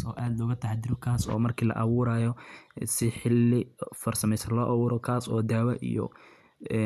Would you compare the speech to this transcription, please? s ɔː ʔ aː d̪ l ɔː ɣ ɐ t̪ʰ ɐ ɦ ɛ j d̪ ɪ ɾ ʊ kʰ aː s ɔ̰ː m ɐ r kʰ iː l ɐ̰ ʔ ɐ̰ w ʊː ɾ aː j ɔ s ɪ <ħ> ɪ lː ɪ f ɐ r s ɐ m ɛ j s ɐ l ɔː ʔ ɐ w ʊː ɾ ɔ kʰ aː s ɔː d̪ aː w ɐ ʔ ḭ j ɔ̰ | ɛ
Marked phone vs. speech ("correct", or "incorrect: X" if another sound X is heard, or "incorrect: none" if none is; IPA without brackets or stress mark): correct